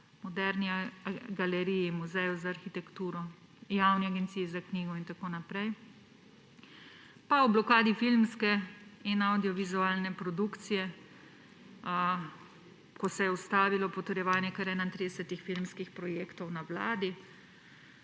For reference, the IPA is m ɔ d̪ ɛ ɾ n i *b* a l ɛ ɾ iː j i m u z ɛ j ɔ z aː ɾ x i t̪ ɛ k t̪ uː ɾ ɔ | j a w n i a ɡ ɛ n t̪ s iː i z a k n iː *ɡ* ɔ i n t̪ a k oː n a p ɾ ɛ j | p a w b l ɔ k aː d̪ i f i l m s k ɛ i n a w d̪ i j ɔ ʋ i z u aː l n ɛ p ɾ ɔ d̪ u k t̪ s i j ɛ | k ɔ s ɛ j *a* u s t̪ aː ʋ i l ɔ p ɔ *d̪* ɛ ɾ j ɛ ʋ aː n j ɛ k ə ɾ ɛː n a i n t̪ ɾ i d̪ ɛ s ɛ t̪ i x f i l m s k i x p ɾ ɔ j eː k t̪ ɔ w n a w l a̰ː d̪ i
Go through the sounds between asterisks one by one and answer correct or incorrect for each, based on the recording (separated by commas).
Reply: incorrect, correct, incorrect, incorrect